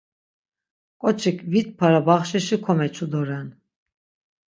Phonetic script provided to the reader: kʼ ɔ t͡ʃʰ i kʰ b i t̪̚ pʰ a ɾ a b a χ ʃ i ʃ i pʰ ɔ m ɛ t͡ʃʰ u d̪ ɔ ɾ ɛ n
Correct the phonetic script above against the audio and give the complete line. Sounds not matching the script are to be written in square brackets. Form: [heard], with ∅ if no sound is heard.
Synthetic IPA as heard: kʼ ɔ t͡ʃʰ i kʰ [v] i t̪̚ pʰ a ɾ a b a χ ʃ i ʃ i [kʰ] ɔ m ɛ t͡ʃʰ u d̪ ɔ ɾ ɛ n